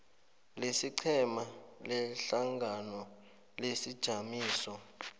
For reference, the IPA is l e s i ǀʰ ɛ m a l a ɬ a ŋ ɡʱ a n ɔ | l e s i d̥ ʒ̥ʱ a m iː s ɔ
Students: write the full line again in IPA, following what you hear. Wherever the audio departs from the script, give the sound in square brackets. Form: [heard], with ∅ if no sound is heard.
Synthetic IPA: l e s i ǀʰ ɛ m a l [ɛ] ɬ a ŋ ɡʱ a n ɔ | l e s i d̥ ʒ̥ʱ a m iː s ɔ

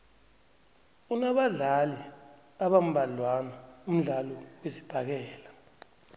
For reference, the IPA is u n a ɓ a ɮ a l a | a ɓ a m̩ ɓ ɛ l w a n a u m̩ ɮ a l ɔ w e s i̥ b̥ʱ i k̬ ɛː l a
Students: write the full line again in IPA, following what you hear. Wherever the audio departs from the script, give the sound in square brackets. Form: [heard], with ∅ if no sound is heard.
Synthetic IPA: u n a ɓ a ɮ a l [i] | a ɓ a m̩ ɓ [a] l w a n a u m̩ ɮ a l ɔ w e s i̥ b̥ʱ [a] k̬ ɛː l a

